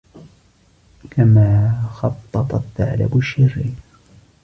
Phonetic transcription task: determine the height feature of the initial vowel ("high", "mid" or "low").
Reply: low